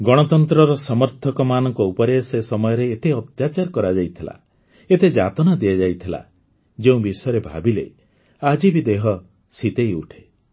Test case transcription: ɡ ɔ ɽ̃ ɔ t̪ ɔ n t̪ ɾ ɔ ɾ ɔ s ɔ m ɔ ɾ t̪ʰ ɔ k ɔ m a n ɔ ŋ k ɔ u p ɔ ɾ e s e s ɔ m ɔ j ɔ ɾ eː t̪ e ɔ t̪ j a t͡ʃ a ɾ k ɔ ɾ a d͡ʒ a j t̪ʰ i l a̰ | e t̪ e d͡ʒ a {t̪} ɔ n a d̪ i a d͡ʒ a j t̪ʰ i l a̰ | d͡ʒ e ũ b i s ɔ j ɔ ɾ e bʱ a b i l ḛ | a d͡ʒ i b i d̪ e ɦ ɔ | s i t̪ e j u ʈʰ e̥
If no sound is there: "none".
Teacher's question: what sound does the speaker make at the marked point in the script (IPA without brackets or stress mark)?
t̪